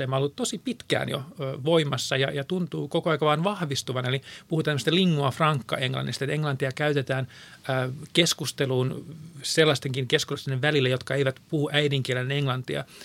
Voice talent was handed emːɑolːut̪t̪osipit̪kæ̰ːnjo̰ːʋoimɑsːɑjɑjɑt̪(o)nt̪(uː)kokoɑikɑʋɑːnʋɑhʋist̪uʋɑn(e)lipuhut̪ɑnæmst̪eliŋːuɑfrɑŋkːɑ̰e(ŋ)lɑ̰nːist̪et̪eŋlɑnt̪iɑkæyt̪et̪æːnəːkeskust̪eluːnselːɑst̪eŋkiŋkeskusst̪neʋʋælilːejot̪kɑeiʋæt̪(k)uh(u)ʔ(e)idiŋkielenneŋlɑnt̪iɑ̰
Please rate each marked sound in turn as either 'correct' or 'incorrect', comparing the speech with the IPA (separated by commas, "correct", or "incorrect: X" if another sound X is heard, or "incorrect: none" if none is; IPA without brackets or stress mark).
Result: incorrect: u, correct, correct, correct, incorrect: p, correct, incorrect: æ